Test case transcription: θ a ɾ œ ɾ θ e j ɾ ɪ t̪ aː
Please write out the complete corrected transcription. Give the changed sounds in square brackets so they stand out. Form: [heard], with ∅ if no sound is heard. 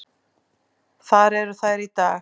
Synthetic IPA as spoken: θ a ɾ [ɛ] ɾ θ [a] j ɾ [i] t̪ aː